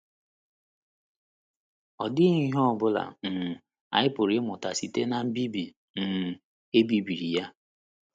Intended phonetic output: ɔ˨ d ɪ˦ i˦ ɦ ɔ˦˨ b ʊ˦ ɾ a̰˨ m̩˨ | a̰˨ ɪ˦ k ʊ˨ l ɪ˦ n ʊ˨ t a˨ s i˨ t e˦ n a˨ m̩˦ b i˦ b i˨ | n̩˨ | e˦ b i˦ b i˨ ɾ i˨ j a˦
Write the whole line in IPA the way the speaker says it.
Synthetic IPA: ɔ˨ d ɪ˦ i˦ ɦ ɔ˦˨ b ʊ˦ l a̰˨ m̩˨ | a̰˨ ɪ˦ p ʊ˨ ɾ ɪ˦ m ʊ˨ t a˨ s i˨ t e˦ n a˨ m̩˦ b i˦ b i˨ | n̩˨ | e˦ b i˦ b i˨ ɾ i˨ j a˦

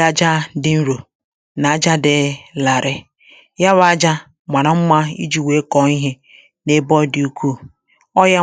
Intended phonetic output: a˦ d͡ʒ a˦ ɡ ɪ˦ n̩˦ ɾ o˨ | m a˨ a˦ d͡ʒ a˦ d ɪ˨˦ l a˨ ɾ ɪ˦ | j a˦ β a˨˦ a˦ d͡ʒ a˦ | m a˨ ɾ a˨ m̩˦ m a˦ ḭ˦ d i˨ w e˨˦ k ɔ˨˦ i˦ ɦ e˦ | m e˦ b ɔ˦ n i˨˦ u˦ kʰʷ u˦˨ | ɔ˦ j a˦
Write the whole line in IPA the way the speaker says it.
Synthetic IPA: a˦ d͡ʒ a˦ d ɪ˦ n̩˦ ɾ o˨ | n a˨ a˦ d͡ʒ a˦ d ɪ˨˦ l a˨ ɾ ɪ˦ | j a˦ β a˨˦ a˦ d͡ʒ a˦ | m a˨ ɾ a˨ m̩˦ m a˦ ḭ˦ d͡ʒ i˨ w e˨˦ k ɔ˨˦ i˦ ɦ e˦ | n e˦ b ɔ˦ d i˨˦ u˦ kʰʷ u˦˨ | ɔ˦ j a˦

